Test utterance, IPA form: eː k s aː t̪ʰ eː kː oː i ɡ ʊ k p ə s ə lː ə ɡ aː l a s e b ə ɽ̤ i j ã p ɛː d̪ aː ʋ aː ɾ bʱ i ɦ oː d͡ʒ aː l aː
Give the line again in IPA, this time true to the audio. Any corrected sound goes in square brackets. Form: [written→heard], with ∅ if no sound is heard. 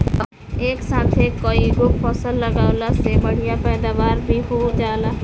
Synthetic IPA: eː k s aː t̪ʰ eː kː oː i ɡ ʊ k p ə s ə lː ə ɡ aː l a s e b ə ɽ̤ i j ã p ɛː d̪ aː ʋ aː ɾ bʱ i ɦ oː d͡ʒ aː l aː